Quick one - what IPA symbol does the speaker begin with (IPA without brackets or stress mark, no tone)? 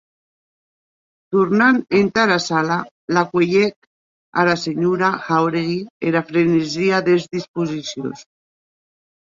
t̪